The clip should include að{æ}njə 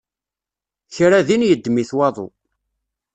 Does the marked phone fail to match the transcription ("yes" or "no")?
yes